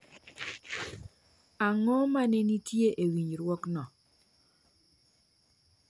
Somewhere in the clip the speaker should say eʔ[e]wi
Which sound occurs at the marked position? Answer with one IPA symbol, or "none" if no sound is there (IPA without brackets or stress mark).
e